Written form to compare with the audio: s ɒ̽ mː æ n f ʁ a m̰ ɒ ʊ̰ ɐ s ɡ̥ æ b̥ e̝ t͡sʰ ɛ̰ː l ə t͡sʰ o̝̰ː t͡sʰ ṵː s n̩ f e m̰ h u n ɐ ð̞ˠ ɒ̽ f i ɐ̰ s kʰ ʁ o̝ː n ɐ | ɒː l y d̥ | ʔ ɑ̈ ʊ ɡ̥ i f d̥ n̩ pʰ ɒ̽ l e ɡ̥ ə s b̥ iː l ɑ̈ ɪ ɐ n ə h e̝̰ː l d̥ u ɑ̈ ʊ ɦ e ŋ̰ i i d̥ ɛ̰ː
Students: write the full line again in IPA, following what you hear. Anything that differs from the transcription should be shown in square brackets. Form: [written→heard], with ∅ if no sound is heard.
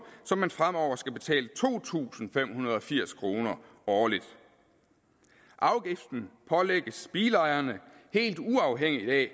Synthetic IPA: s ɒ̽ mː æ n f ʁ a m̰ ɒ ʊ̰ ɐ s ɡ̥ æ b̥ e̝ t͡sʰ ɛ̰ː l ə t͡sʰ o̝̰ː t͡sʰ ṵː s n̩ f e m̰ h u n ɐ ð̞ˠ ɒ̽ f i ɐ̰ s kʰ ʁ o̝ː n ɐ | ɒː l [y→i] d̥ | ʔ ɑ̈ ʊ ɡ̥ i f d̥ n̩ pʰ ɒ̽ l e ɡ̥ ə s b̥ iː l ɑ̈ ɪ ɐ n ə h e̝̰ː l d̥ u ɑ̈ ʊ ɦ e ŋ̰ i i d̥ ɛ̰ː

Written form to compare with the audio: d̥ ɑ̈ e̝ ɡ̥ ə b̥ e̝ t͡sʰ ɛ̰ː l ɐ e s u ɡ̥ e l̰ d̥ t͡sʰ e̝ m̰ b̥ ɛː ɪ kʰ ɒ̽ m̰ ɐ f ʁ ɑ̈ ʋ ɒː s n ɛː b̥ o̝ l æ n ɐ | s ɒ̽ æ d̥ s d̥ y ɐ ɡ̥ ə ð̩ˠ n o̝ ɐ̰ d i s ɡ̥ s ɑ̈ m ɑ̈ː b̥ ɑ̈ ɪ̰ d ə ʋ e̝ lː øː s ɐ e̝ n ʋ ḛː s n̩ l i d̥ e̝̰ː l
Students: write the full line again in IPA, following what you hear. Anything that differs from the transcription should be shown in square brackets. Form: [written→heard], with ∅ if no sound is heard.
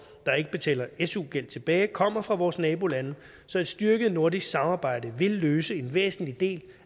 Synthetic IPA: d̥ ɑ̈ e̝ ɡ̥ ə b̥ e̝ t͡sʰ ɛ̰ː l ɐ e s u ɡ̥ e l̰ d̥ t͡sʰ e̝ [m̰→∅] b̥ ɛː ɪ kʰ ɒ̽ m̰ ɐ f ʁ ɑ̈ ʋ ɒː s n ɛː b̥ o̝ l æ n [ɐ→ə] | s ɒ̽ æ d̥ s d̥ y ɐ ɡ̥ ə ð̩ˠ n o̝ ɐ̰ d i s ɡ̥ s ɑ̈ m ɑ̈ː b̥ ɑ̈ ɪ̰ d ə ʋ e̝ lː øː s [ɐ→ə] e̝ n ʋ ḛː s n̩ l i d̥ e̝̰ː l

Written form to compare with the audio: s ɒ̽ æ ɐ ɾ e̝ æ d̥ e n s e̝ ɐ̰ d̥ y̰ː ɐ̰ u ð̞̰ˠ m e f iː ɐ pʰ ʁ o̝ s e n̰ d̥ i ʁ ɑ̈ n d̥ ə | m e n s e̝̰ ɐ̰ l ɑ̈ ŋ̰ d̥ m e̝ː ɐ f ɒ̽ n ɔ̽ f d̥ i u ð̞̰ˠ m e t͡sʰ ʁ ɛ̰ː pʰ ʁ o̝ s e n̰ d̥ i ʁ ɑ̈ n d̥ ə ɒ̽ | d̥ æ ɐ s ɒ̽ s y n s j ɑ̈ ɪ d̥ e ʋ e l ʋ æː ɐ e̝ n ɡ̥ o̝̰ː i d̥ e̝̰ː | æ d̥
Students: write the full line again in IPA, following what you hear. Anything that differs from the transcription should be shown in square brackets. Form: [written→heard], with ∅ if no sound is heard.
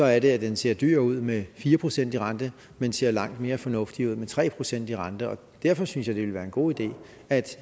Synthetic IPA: s ɒ̽ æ ɐ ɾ e̝ æ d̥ e n s e̝ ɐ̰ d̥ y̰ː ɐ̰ u ð̞̰ˠ m e f iː ɐ pʰ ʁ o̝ s e n̰ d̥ i ʁ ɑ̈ n d̥ ə | m e n s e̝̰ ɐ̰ l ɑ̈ ŋ̰ d̥ m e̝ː ɐ f ɒ̽ n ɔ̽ f d̥ i u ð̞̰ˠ m e t͡sʰ ʁ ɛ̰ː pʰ ʁ o̝ s e n̰ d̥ i ʁ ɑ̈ n d̥ ə ɒ̽ | d̥ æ ɐ [s→f] ɒ̽ s y n s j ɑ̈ ɪ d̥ e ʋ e l ʋ æː ɐ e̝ n ɡ̥ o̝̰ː i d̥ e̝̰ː | æ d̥

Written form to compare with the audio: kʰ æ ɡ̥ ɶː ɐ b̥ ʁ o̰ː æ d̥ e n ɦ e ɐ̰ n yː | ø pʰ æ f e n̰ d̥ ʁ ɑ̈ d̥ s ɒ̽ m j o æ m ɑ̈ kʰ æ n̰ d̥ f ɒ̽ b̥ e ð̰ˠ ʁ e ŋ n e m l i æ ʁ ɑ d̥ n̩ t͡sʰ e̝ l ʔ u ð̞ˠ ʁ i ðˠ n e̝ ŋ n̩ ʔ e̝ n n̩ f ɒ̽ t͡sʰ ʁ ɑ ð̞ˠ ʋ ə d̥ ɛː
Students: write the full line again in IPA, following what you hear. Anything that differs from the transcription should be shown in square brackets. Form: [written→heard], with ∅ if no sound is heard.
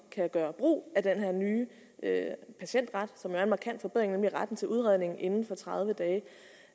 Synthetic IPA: kʰ æ ɡ̥ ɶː ɐ b̥ ʁ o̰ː æ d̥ e n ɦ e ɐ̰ n yː | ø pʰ æ [f→ɕ] e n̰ d̥ ʁ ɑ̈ d̥ s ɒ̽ m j o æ m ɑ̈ kʰ æ n̰ d̥ f ɒ̽ b̥ e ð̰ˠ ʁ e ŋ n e m l i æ ʁ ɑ d̥ n̩ t͡sʰ e̝ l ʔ u ð̞ˠ ʁ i ðˠ n e̝ ŋ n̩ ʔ e̝ n n̩ f ɒ̽ t͡sʰ ʁ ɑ ð̞ˠ ʋ ə d̥ ɛː

